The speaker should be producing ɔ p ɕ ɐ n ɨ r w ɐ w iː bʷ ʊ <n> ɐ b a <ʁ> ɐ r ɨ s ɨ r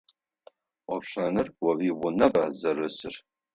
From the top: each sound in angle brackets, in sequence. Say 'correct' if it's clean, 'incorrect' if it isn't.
correct, incorrect

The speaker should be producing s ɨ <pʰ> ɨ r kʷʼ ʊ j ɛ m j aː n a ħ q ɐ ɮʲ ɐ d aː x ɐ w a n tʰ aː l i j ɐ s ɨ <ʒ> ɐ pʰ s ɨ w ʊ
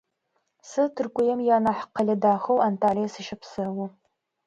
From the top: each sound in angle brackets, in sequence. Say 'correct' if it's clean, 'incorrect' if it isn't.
incorrect, incorrect

